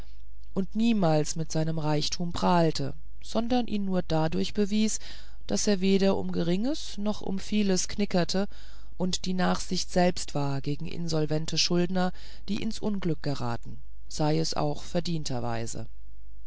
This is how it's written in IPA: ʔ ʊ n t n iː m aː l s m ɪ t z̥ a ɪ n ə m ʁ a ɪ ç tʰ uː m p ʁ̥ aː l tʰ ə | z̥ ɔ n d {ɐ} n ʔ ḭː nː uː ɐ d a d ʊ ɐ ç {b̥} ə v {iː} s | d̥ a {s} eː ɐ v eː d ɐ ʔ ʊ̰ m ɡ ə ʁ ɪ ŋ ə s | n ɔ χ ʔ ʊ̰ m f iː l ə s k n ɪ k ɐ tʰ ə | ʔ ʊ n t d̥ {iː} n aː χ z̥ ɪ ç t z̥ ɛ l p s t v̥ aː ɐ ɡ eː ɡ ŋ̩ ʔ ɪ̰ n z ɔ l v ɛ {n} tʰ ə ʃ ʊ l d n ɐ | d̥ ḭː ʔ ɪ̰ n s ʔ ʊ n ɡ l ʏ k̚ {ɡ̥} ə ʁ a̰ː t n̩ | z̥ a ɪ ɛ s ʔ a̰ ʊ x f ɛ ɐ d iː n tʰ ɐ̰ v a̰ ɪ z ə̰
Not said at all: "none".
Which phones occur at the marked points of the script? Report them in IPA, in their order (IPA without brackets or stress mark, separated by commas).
ɐ, b̥, iː, s, iː, n, ɡ̥